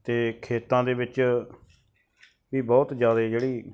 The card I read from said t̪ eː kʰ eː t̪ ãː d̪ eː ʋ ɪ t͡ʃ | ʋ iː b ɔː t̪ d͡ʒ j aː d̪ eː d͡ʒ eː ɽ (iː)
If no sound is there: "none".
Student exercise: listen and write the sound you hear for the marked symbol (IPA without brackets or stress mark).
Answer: iː